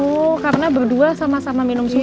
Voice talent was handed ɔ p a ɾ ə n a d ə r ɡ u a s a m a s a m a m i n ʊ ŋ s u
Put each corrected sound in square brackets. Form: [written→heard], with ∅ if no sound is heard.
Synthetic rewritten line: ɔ [p→k] a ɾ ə n a [d→b] ə r [ɡ→d] u a s a m a s a m a m i n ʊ [ŋ→m] s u